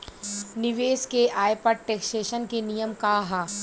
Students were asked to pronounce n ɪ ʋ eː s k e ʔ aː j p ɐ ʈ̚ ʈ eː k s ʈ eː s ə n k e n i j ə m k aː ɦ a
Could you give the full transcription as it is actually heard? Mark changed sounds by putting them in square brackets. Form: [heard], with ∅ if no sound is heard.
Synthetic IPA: n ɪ ʋ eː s k e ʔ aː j p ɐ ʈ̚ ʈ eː k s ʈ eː [ʃ] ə n k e n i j ə m k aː ɦ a